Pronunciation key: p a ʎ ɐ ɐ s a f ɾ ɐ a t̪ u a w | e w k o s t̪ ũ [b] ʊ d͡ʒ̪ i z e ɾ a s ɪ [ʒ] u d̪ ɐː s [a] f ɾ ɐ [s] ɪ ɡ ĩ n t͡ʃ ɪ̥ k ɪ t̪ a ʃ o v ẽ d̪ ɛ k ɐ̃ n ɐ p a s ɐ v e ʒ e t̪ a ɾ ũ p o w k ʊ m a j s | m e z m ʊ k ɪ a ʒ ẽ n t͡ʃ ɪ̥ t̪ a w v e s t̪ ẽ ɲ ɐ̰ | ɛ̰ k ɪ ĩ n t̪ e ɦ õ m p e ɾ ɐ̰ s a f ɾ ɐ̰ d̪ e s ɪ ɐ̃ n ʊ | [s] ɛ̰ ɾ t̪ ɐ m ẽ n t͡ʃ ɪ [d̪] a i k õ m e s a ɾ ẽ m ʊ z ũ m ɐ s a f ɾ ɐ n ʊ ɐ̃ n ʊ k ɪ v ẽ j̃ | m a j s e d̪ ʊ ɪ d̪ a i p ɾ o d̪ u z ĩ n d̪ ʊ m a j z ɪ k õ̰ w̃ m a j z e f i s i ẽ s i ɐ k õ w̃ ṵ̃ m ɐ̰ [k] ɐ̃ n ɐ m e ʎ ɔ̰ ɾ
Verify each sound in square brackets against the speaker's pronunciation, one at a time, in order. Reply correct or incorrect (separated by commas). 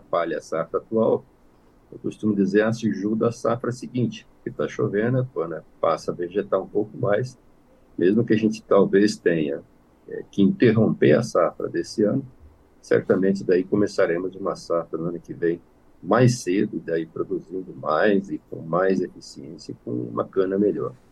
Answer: incorrect, correct, correct, correct, correct, correct, correct